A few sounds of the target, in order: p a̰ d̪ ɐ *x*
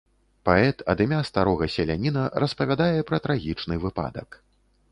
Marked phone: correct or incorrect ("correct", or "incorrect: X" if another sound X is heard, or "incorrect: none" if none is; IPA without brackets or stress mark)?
incorrect: k